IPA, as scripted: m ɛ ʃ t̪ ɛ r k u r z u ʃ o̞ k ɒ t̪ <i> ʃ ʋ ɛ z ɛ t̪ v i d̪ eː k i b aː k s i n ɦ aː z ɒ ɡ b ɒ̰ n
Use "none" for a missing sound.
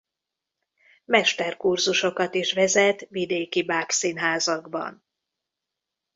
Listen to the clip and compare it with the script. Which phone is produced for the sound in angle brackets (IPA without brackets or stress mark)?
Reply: i